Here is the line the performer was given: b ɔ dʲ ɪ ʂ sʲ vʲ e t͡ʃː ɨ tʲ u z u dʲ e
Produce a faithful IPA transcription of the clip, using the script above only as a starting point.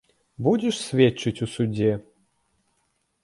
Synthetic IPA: b u dʲ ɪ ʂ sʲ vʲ e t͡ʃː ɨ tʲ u s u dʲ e